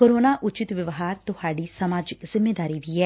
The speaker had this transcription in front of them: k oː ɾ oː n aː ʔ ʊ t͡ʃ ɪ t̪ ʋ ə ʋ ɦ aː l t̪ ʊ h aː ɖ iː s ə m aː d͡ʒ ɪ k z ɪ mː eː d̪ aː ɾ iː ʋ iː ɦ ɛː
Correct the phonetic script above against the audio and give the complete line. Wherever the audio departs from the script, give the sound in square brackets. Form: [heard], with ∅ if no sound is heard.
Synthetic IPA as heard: k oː ɾ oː n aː ʔ ʊ t͡ʃ ɪ t̪ ʋ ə ʋ ɦ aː [ɾ] t̪ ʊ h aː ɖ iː s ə m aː d͡ʒ ɪ k z ɪ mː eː d̪ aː ɾ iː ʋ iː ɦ ɛː